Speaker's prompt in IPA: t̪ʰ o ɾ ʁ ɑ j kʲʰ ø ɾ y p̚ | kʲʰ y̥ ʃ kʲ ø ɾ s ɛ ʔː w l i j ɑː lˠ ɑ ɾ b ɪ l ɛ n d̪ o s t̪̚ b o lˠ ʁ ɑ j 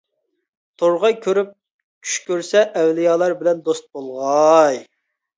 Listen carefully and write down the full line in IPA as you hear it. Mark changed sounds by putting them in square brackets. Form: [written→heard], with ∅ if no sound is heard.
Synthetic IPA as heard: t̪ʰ o ɾ ʁ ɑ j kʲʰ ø ɾ y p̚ | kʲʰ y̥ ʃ kʲ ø ɾ s ɛ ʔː w l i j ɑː lˠ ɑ ɾ b ɪ l ɛ n d̪ o s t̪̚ b o lˠ ʁ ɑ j